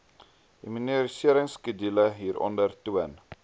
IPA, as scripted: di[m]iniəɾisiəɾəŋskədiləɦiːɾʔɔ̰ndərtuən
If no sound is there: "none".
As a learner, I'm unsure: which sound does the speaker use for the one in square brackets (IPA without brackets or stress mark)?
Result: m